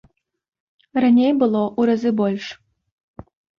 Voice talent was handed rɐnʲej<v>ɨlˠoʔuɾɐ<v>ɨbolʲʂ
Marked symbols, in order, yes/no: no, no

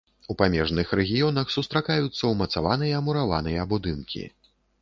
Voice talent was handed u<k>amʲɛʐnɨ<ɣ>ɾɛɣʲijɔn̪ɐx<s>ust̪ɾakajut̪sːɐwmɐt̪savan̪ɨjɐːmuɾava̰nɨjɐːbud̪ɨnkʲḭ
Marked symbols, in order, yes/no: no, no, yes

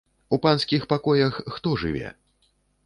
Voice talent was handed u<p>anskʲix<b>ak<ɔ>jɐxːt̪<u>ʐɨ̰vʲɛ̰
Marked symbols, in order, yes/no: yes, no, yes, no

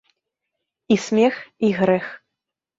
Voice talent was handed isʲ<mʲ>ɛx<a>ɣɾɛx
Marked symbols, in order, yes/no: yes, no

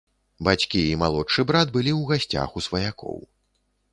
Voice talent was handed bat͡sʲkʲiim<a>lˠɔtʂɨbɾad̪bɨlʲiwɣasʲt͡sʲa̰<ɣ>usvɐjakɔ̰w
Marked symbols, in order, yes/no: yes, no

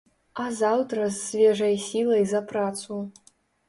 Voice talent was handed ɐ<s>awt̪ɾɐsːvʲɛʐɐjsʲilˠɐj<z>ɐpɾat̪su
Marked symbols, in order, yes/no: no, yes

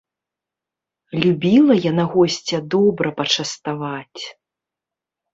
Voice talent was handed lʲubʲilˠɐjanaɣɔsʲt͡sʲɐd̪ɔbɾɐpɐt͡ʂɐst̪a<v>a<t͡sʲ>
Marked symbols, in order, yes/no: yes, yes

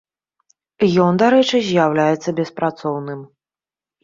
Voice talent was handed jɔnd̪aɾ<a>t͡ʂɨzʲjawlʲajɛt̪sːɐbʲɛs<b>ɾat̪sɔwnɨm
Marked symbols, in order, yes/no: no, no

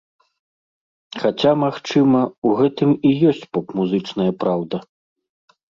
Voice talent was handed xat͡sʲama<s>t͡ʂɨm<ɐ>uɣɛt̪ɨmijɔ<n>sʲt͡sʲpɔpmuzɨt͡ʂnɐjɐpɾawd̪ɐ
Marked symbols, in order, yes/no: no, yes, no

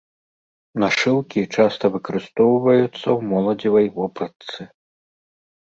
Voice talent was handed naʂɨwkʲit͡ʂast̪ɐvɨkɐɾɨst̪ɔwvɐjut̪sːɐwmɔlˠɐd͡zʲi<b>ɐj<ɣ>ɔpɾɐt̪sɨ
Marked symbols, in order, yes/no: no, no

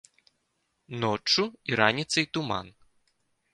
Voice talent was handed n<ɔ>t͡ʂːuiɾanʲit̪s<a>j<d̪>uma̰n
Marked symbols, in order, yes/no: yes, no, no

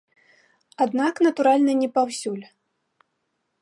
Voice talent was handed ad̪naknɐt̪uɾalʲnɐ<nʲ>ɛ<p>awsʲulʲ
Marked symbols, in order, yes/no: yes, yes

